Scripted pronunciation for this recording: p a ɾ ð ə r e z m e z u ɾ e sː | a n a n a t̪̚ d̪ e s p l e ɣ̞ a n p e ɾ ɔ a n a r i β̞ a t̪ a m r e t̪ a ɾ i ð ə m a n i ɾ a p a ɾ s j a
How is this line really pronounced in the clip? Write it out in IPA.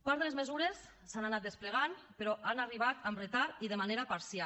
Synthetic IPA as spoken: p a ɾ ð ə l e z m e z u ɾ e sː | a n a n a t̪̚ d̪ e s p l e ɣ̞ a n p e ɾ ɔ a n a r i β̞ a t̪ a m r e t̪ a ɾ i ð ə m a n e ɾ a p a ɾ s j a